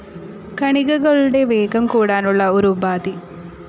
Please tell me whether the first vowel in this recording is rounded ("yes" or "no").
no